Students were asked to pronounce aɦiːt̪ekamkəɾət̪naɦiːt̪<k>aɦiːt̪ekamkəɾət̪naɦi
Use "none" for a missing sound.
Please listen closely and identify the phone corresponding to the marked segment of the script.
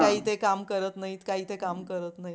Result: k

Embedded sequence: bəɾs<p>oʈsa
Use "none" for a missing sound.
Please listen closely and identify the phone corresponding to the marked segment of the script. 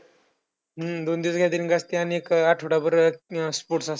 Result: p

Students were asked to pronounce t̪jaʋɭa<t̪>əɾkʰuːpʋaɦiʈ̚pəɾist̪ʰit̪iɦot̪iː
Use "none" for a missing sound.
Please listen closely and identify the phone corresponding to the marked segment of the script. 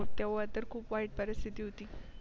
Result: t̪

